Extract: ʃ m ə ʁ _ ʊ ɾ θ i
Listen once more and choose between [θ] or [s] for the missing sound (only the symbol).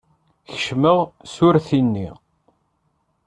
s